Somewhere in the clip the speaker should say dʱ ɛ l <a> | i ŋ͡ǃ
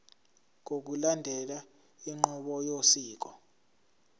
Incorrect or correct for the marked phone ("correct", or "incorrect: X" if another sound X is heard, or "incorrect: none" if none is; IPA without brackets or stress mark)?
correct